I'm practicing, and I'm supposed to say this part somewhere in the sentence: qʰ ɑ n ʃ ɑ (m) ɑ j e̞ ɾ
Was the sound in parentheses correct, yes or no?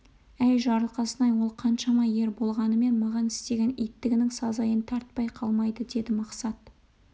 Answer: yes